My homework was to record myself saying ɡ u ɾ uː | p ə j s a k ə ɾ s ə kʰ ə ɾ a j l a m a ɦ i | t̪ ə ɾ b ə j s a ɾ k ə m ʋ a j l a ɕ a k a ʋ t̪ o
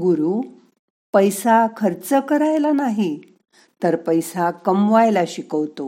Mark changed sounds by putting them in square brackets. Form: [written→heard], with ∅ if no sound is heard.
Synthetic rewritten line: ɡ u ɾ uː | p ə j s a [k→kʰ] ə ɾ [s→t͡s] ə [kʰ→k] ə ɾ a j l a [m→n] a ɦ i | t̪ ə ɾ [b→p] ə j s a [ɾ→∅] k ə m ʋ a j l a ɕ [a→i] k [a→ə] ʋ t̪ o